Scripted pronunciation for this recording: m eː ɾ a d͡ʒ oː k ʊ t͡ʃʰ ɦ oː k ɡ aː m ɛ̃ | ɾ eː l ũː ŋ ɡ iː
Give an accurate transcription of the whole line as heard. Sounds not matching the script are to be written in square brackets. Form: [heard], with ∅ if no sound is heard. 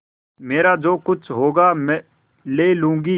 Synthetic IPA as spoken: m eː ɾ a d͡ʒ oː k ʊ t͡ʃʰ ɦ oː [∅] ɡ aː m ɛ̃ | [l] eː l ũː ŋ ɡ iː